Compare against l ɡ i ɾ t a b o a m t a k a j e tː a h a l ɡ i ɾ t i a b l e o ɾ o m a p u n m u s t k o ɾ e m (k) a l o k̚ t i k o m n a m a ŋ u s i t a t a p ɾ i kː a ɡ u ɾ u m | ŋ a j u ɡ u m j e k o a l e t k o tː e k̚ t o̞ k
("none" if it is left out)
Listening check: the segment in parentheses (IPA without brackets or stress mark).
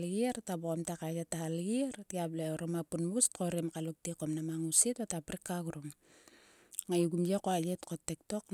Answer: k